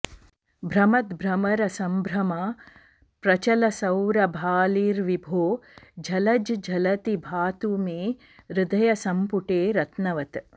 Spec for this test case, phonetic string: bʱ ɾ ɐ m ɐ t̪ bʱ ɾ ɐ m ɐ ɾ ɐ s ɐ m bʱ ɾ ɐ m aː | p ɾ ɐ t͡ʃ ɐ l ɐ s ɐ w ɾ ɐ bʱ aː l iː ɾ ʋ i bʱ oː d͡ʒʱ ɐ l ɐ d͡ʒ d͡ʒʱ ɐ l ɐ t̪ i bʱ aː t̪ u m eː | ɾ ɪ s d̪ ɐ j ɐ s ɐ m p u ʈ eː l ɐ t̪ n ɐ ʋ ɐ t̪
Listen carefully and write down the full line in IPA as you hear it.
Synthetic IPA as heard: bʱ ɾ ɐ m ɐ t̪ bʱ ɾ ɐ m ɐ ɾ ɐ s ɐ m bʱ ɾ ɐ m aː | p ɾ ɐ t͡ʃ ɐ l ɐ s ɐ w ɾ ɐ bʱ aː l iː ɾ ʋ i bʱ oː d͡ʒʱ ɐ l ɐ d͡ʒ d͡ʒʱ ɐ l ɐ t̪ i bʱ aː t̪ u m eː | ɾ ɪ d̪ ɐ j ɐ s ɐ m p u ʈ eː ɾ ɐ t̪ n ɐ ʋ ɐ t̪